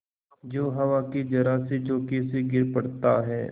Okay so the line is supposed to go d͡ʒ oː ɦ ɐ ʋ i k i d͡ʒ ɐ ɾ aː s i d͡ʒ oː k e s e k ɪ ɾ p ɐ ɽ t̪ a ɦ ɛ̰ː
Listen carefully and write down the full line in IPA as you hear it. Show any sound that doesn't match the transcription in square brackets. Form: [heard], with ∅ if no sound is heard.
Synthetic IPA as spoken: d͡ʒ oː ɦ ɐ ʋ [a] k i d͡ʒ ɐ ɾ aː s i d͡ʒ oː k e s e [ɡ] ɪ ɾ p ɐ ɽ t̪ a ɦ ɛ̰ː